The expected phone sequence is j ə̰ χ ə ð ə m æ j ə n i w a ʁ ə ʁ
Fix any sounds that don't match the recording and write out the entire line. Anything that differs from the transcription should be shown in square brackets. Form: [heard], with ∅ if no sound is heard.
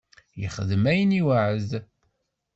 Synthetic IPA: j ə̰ χ ə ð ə m æ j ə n i w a [ʕ] ə [z]